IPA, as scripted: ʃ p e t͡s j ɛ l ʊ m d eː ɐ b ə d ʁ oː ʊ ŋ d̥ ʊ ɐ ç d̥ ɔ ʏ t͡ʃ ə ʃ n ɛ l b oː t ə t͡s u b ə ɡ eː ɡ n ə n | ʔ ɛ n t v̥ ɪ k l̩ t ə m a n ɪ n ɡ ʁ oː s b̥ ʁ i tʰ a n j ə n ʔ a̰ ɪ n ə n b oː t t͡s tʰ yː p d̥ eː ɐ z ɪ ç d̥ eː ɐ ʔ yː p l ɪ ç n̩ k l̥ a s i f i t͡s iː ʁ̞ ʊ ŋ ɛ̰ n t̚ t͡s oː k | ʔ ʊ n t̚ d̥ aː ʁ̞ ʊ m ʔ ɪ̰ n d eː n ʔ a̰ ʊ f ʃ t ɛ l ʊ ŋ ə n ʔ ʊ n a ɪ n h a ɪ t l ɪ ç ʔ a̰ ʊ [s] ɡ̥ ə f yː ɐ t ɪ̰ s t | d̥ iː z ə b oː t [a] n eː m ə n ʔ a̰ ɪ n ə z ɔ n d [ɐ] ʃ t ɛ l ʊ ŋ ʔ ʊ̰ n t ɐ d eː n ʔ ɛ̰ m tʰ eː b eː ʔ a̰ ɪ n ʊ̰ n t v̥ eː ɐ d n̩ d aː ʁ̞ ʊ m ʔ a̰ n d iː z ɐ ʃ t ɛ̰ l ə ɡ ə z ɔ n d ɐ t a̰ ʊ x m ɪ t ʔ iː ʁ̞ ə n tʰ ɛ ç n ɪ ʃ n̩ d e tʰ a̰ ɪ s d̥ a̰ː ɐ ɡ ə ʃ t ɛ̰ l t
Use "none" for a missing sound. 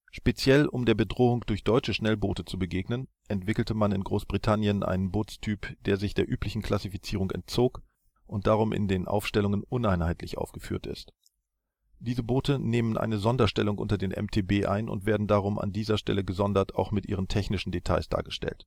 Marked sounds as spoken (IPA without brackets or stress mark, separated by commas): f, ə, ɐ